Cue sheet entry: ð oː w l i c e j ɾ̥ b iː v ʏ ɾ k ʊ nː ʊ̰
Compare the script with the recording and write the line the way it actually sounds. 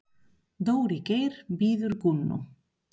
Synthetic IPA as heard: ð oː w ɾ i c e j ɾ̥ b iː ð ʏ ɾ k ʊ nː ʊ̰